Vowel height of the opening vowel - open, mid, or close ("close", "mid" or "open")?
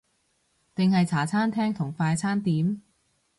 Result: close